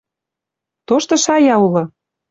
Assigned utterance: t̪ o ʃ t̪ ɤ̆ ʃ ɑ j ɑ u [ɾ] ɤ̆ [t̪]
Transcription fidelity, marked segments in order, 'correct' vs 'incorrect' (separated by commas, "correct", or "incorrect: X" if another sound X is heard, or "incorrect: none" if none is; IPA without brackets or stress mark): incorrect: l, incorrect: none